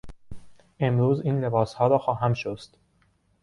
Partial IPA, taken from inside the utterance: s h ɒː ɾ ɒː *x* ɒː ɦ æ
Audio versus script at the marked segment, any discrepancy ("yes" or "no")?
no